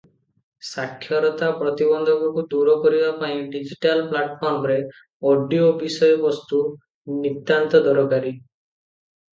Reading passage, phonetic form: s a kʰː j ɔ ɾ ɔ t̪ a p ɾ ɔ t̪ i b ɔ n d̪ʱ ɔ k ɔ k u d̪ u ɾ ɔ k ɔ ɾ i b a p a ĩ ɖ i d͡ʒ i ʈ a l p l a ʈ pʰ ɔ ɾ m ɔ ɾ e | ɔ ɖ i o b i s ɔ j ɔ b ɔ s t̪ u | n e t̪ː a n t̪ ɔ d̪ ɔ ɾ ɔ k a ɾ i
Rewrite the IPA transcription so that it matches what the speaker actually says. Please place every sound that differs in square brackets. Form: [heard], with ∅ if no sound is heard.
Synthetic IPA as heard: s a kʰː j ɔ ɾ ɔ t̪ a p ɾ ɔ t̪ i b ɔ n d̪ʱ ɔ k ɔ k u d̪ u ɾ ɔ k ɔ ɾ i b a p a ĩ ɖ i d͡ʒ i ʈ a l p l a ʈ pʰ ɔ ɾ m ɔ ɾ e | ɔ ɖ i o b i s ɔ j ɔ b ɔ s t̪ u | n [i] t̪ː a n t̪ ɔ d̪ ɔ ɾ ɔ k a ɾ i